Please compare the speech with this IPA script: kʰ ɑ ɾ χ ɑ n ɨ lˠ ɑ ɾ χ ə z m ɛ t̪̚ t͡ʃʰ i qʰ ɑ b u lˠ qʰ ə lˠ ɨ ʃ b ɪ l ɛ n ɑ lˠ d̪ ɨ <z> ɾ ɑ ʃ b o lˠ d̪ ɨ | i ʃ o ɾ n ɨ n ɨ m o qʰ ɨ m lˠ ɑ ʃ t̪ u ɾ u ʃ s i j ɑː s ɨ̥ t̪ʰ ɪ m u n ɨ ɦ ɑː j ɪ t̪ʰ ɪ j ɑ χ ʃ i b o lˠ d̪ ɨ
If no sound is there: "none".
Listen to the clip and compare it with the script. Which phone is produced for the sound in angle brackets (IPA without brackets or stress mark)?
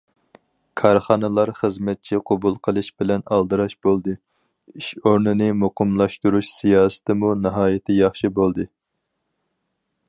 none